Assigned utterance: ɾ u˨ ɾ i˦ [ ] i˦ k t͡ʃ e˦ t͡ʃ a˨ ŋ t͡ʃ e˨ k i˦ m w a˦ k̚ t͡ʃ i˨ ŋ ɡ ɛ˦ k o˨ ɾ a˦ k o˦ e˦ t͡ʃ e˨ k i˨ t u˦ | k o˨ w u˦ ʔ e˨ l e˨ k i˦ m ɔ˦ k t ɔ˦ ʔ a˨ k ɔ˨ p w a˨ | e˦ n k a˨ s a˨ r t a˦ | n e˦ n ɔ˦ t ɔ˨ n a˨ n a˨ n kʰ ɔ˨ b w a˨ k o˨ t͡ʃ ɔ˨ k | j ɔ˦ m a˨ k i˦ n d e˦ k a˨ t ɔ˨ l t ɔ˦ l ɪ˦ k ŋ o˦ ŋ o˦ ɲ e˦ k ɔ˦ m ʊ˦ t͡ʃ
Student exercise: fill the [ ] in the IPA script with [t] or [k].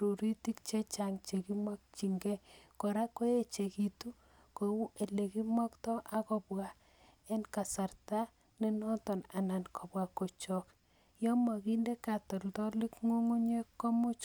t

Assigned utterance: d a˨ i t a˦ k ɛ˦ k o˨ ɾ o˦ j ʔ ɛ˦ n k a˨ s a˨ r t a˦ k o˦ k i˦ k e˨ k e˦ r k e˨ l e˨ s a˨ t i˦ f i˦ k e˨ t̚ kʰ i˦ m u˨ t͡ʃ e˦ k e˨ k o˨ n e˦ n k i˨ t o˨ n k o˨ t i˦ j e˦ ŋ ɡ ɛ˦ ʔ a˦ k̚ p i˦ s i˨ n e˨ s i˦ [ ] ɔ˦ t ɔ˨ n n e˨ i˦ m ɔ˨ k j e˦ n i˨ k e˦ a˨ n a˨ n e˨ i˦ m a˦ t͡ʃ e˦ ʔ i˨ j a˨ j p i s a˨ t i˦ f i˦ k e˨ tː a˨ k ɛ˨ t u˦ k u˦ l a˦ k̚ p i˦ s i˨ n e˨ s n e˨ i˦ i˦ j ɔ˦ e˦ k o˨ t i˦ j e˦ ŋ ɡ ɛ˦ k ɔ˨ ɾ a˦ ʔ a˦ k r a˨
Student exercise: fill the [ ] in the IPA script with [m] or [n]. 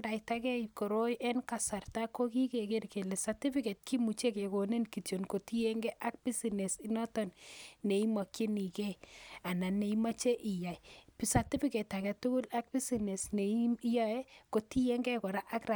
n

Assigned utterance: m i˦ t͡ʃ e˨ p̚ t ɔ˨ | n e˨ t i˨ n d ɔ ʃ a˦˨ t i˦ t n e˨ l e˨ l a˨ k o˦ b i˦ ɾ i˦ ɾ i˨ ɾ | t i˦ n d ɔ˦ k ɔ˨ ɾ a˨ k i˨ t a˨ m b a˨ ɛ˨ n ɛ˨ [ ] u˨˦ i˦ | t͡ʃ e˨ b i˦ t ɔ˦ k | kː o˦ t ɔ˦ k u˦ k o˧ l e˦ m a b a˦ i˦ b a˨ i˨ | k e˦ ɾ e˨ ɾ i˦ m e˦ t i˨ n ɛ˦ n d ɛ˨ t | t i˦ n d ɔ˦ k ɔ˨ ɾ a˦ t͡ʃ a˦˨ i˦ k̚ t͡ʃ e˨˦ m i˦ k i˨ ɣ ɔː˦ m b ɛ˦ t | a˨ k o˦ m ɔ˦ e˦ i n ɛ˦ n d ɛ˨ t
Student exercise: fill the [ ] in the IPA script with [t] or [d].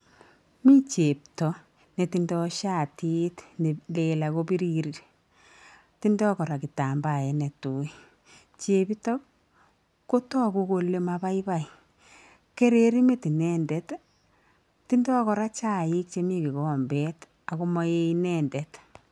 t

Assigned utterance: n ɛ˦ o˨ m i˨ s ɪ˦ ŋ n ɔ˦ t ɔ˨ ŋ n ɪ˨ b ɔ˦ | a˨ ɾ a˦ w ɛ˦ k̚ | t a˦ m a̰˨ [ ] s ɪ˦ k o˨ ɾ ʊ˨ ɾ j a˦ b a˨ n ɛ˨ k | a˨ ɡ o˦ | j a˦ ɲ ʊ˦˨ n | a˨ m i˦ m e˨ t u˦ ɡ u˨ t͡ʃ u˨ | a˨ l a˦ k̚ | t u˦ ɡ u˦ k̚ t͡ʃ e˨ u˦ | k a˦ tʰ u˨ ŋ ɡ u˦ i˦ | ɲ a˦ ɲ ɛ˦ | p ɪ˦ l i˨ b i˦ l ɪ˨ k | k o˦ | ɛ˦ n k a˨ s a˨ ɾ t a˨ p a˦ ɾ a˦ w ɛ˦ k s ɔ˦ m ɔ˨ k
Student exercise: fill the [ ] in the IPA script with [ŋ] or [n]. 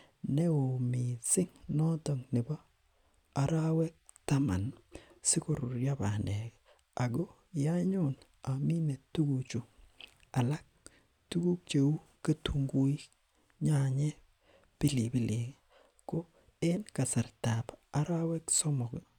n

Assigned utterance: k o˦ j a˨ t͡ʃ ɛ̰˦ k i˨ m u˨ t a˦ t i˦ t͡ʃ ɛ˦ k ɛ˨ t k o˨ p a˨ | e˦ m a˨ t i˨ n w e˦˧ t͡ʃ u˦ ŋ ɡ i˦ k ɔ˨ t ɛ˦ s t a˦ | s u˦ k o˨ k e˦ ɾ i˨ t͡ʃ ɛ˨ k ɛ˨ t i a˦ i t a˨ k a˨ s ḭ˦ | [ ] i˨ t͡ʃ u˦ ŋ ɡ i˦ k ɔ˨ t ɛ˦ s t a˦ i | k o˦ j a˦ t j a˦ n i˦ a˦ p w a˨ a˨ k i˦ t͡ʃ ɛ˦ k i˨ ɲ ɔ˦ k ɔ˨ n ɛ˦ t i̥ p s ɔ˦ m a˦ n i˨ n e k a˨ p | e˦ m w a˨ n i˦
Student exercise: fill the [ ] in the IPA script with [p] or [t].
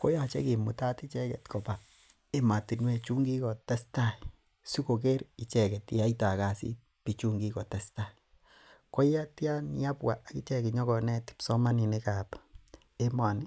p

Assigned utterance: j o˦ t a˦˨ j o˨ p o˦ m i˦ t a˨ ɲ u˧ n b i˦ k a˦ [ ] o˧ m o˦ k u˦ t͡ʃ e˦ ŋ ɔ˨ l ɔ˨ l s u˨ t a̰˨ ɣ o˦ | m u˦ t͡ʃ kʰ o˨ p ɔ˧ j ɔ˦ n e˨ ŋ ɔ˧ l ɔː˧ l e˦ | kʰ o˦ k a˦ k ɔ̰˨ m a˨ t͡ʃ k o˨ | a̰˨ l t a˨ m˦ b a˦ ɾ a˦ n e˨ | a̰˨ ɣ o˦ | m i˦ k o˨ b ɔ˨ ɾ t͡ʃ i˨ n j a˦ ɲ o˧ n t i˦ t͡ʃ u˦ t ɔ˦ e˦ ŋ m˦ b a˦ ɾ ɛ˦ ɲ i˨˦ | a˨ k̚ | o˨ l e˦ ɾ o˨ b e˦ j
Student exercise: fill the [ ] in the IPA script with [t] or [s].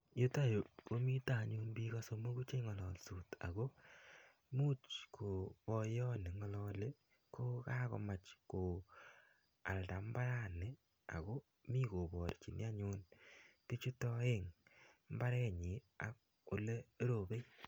s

